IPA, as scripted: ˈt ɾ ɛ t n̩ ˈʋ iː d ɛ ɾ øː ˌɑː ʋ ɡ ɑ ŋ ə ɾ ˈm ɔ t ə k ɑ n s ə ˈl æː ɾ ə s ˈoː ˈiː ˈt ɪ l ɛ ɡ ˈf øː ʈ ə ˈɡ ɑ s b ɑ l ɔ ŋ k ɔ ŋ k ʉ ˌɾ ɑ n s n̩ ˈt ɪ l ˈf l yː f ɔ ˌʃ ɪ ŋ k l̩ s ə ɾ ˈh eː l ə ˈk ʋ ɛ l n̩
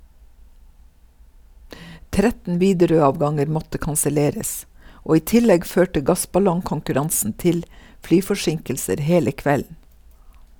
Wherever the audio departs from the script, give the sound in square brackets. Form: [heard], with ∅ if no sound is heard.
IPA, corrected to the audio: ˈt ɾ ɛ t n̩ ˈʋ iː d ɛ ɾ øː ˌɑː ʋ ɡ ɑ ŋ ə ɾ ˈm ɔ t ə k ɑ n s ə ˈl [eː] ɾ ə s ˈoː ˈiː ˈt ɪ l ɛ ɡ ˈf øː ʈ ə ˈɡ ɑ s b ɑ l ɔ ŋ k ɔ ŋ k ʉ ˌɾ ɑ n s n̩ ˈt ɪ l ˈf l yː f ɔ ˌʃ ɪ ŋ k l̩ s ə ɾ ˈh eː l ə ˈk ʋ ɛ l n̩

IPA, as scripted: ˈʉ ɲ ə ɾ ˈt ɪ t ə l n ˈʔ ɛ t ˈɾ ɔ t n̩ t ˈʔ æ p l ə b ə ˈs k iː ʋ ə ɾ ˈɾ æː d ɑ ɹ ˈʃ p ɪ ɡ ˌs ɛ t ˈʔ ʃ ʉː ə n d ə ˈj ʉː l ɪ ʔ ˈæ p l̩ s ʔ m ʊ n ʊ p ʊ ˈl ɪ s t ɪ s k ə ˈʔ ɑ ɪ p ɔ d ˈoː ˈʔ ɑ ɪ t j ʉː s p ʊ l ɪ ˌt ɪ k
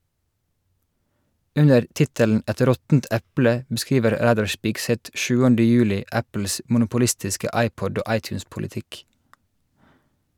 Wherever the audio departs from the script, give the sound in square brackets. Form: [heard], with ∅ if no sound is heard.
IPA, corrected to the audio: ˈʉ ɲ ə ɾ ˈt ɪ t ə l n ˈʔ ɛ t ˈɾ ɔ t n̩ t ˈʔ æ p l ə b ə ˈs k iː ʋ ə ɾ ˈɾ æː d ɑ ɹ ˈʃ p ɪ ɡ ˌs ɛ t ˈʔ ʃ ʉː ə n d ə ˈj ʉː l ɪ ʔ ˈæ p l̩ s ʔ m ʊ n ʊ p ʊ ˈl ɪ s t ɪ s k ə ˈʔ ɑ ɪ p ɔ d ˈoː ˈʔ ɑ ɪ t j ʉː s p ʊ l ɪ ˌt ɪ k

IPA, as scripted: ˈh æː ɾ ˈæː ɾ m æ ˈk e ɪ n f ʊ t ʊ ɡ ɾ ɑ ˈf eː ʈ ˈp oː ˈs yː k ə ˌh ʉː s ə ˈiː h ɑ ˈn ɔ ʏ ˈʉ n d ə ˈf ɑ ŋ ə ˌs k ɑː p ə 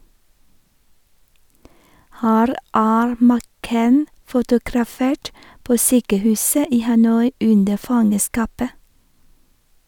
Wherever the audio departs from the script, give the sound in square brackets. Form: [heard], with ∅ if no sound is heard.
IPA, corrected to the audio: ˈh æː ɾ ˈæː ɾ m æ ˈk e ɪ n f ʊ t ʊ ɡ ɾ ɑ ˈf eː ʈ ˈp oː ˈs yː k ə ˌh ʉː s ə ˈiː h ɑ ˈn ɔ ʏ ˈʉ n d ə ˈf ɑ ŋ ə ˌs k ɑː p ə

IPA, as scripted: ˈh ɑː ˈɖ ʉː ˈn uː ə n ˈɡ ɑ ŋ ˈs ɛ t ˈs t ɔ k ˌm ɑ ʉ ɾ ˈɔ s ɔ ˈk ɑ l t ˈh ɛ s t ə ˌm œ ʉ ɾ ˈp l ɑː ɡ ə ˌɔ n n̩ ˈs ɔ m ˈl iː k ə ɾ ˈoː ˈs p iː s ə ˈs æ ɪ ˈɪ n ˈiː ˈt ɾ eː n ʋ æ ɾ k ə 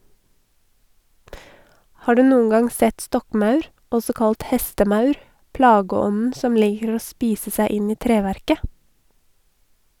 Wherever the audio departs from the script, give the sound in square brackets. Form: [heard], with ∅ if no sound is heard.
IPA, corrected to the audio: ˈh ɑː ˈɖ ʉː ˈn uː ə n ˈɡ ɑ ŋ ˈs ɛ t ˈs t ɔ k ˌm ɑ ʉ ɾ ˈɔ s ɔ ˈk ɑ l t ˈh ɛ s t ə ˌm œ ʉ ɾ ˈp l ɑː ɡ ə ˌɔ n n̩ ˈs ɔ m ˈl iː k ə ɾ ˈoː ˈs p iː s ə ˈs æ ɪ ˈɪ n ˈiː ˈt ɾ eː [∅] ʋ æ ɾ k ə

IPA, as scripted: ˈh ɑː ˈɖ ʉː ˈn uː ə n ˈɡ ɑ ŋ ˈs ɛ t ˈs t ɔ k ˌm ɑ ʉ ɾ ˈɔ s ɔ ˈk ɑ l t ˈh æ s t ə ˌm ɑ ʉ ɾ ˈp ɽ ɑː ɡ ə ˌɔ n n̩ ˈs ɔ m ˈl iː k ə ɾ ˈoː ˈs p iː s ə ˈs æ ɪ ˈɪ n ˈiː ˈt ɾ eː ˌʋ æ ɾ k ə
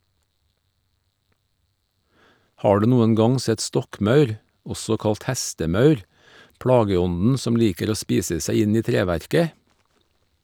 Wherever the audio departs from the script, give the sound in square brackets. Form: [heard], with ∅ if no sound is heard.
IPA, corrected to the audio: ˈh ɑː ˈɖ ʉː ˈn uː ə n ˈɡ ɑ ŋ ˈs ɛ t ˈs t ɔ k ˌm ɑ ʉ ɾ ˈɔ s ɔ ˈk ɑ l t ˈh æ s t ə ˌm ɑ ʉ ɾ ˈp ɽ ɑː ɡ ə ˌɔ n n̩ ˈs ɔ m ˈl iː k ə ɾ ˈoː ˈs p iː s ə ˈs æ ɪ ˈɪ n ˈiː ˈt ɾ eː ˌʋ æ ɾ k ə

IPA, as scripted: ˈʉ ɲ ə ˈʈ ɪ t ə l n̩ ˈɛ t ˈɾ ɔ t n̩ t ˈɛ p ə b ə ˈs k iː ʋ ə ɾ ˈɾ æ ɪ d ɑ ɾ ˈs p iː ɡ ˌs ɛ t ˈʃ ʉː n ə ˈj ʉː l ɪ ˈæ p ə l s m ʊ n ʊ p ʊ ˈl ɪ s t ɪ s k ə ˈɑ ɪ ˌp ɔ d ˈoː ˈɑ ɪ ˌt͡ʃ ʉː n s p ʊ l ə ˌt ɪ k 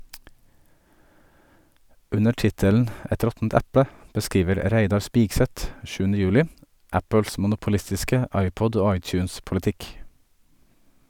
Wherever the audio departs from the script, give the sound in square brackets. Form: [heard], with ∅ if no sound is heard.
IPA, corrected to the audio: ˈʉ [n] ə ˈʈ ɪ t ə l n̩ ˈɛ t ˈɾ ɔ t n̩ t ˈɛ p ə b ə ˈs k iː ʋ ə ɾ ˈɾ æ ɪ d ɑ ɾ ˈs p iː ɡ ˌs ɛ t ˈʃ ʉː n ə ˈj ʉː l ɪ ˈæ p ə l s m ʊ n ʊ p ʊ ˈl ɪ s t ɪ s k ə ˈɑ ɪ ˌp ɔ d ˈoː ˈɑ ɪ ˌt͡ʃ ʉː n s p ʊ l ə ˌt ɪ k

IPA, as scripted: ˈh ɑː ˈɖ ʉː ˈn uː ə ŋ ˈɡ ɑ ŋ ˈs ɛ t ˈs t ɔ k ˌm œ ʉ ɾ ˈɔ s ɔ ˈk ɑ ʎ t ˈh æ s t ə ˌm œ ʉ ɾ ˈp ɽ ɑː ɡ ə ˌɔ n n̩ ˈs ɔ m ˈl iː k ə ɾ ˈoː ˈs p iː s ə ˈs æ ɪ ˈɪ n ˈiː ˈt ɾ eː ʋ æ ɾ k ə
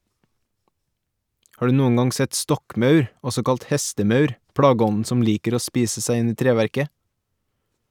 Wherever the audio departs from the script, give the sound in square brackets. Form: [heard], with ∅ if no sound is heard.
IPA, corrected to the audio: ˈh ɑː ˈɖ ʉː ˈn uː ə ŋ ˈɡ ɑ ŋ ˈs ɛ t ˈs t ɔ k ˌm œ ʉ ɾ ˈɔ s ɔ ˈk ɑ [l] t ˈh [ɛ] s t ə ˌm œ ʉ ɾ ˈp ɽ ɑː ɡ ə ˌɔ n n̩ ˈs ɔ m ˈl iː k ə ɾ ˈoː ˈs p iː s ə ˈs æ ɪ ˈɪ n ˈiː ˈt ɾ eː ʋ æ ɾ k ə

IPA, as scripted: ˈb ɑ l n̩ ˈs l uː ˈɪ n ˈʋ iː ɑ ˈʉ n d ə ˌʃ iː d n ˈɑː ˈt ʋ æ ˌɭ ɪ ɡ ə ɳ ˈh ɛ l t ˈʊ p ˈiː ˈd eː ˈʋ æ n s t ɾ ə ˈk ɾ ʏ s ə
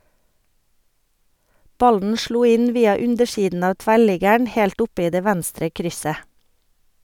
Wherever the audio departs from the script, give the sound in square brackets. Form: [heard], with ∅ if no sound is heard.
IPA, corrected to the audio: ˈb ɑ l n̩ [ˈʃ] l uː ˈɪ n ˈʋ iː ɑ ˈʉ n d ə ˌʃ iː d n ˈɑː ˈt ʋ æ ˌɭ ɪ ɡ ə ɳ ˈh ɛ l t ˈʊ p ˈiː ˈd eː ˈʋ æ n s t ɾ ə ˈk ɾ ʏ s ə

